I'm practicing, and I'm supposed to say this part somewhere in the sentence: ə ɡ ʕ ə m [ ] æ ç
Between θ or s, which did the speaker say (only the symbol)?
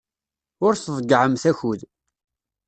θ